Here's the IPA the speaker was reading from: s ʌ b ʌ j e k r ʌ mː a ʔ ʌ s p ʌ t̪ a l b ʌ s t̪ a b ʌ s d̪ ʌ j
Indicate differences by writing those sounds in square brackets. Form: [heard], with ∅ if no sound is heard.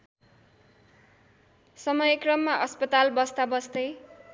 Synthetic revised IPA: s ʌ [m] ʌ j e k r ʌ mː a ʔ ʌ s p ʌ t̪ a l b ʌ s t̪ a b ʌ s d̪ ʌ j